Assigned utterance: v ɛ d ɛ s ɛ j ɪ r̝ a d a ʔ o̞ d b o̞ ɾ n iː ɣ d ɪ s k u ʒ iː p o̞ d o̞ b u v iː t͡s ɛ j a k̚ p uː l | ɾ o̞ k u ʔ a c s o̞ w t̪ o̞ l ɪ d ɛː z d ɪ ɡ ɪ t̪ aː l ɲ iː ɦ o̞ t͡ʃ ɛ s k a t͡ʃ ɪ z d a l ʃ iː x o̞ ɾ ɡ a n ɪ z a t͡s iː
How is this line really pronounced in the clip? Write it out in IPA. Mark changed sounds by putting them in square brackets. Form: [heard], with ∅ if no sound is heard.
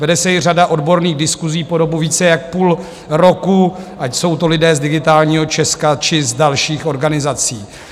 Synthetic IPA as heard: v ɛ d ɛ s ɛ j ɪ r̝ a d a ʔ o̞ d b o̞ ɾ n iː ɣ d ɪ s k u [z] iː p o̞ d o̞ b u v iː t͡s ɛ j a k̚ p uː l | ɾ o̞ k u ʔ a c s o̞ w t̪ o̞ l ɪ d ɛː z d ɪ ɡ ɪ t̪ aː l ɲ iː ɦ o̞ t͡ʃ ɛ s k a t͡ʃ ɪ z d a l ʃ iː x o̞ ɾ ɡ a n ɪ z a t͡s iː